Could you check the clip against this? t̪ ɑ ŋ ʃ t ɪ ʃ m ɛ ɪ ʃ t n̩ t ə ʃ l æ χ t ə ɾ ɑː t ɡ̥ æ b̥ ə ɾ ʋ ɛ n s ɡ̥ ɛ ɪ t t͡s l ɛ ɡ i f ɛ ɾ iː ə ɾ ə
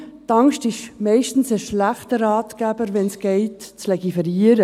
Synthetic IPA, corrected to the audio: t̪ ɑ ŋ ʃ t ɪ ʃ m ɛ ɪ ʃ t n̩ s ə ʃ l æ χ t ə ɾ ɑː t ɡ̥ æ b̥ ə ɾ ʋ ɛ n s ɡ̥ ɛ ɪ t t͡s l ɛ ɡ i f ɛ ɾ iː ə ɾ ə